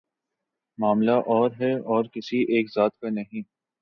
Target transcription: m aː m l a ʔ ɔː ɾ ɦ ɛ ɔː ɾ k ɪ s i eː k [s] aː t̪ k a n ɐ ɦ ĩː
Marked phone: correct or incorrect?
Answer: incorrect